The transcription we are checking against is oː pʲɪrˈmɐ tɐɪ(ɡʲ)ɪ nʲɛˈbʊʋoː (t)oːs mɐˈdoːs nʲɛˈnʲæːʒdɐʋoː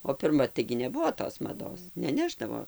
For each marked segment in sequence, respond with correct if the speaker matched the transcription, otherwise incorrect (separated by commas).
correct, correct